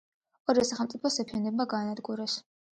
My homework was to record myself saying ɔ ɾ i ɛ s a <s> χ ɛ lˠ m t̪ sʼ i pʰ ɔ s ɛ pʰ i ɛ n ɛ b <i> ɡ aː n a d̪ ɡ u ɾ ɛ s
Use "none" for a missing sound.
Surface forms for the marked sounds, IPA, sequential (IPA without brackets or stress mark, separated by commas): none, a